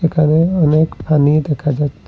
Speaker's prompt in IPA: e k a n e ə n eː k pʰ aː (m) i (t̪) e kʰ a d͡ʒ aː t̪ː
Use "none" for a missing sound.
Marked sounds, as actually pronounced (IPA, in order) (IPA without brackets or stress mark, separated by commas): n, d̪